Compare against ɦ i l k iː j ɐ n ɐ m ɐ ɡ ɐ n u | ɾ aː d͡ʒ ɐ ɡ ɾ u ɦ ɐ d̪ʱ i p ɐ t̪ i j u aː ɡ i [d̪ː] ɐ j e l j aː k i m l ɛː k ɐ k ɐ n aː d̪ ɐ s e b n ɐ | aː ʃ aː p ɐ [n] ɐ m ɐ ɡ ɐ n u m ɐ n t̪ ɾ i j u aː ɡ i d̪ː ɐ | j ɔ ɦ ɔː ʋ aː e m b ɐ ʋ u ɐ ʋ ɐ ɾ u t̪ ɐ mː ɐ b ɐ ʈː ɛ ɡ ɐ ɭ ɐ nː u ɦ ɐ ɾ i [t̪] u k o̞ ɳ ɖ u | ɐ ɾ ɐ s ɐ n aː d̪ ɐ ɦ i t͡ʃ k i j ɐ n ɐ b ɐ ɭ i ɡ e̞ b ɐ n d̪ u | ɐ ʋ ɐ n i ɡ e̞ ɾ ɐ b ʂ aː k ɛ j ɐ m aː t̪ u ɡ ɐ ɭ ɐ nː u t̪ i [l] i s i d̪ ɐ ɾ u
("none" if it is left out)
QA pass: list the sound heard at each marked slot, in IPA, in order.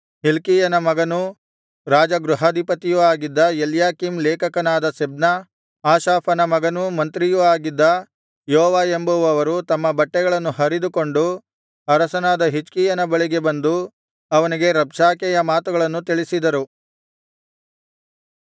d̪ː, n, d̪, ɭ

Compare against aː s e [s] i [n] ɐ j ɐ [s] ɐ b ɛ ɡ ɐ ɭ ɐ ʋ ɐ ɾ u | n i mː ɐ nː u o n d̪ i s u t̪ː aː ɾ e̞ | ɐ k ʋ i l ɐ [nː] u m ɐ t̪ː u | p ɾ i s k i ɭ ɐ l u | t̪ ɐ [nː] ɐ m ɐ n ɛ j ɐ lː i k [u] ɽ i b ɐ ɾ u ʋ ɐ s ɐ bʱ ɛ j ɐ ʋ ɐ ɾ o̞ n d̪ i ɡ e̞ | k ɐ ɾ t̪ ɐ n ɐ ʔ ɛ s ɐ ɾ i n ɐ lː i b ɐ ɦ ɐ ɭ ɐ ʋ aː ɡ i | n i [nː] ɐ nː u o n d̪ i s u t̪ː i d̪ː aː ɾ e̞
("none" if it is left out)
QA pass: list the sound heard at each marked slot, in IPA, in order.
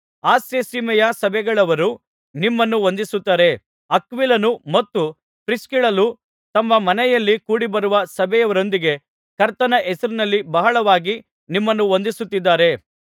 s, m, s, n, mː, uː, mː

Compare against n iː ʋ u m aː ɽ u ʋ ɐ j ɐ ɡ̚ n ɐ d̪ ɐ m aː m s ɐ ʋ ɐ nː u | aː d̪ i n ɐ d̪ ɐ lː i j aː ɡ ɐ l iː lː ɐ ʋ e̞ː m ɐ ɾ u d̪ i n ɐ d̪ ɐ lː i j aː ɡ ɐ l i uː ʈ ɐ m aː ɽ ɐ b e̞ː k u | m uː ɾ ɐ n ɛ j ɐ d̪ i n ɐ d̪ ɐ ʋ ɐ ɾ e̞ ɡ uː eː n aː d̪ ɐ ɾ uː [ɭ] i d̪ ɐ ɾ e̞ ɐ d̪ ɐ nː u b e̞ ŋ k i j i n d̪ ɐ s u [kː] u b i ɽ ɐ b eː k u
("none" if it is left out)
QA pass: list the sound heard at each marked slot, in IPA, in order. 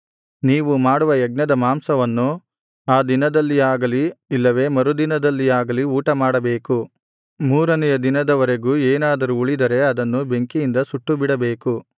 ɭ, ʈː

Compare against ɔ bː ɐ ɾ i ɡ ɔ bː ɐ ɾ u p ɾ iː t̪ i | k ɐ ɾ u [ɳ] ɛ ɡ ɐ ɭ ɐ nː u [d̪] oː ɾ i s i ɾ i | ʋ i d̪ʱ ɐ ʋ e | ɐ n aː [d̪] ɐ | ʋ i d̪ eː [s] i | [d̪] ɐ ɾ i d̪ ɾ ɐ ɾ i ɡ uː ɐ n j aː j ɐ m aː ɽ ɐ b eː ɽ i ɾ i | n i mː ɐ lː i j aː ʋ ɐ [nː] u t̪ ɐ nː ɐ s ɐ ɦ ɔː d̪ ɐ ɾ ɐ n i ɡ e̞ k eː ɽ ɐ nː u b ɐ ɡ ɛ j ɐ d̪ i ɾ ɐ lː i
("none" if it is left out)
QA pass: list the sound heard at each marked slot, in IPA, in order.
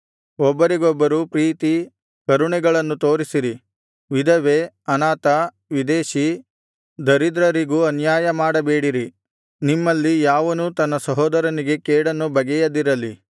ɳ, t̪, t̪, ʃ, d̪, n

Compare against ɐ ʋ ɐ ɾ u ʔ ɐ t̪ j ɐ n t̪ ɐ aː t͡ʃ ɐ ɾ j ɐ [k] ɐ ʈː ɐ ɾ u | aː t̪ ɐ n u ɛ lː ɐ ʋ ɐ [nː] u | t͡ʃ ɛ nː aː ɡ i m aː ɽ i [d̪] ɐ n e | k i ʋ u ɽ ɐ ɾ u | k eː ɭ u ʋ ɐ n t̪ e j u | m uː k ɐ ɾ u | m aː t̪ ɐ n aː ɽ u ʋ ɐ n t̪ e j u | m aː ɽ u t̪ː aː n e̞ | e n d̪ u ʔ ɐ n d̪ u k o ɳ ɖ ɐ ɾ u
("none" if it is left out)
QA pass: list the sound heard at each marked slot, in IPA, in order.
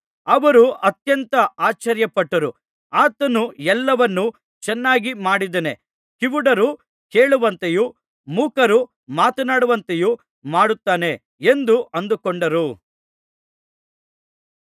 p, nː, d̪

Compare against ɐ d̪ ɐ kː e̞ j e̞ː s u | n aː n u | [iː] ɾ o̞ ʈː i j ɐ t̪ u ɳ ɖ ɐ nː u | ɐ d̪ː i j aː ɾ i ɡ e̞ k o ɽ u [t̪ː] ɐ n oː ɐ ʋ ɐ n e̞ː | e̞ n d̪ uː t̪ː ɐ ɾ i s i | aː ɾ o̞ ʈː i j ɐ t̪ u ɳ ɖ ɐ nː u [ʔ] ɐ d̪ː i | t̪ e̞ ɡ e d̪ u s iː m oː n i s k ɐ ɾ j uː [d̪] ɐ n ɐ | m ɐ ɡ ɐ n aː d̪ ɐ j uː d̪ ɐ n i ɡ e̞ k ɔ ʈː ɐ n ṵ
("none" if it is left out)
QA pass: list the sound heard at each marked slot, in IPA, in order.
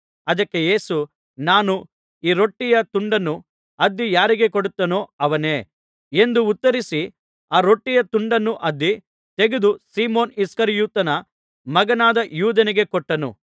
iː, t̪ː, ʔ, t̪

